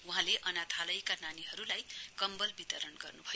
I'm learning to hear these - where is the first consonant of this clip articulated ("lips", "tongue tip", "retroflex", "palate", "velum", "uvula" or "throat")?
throat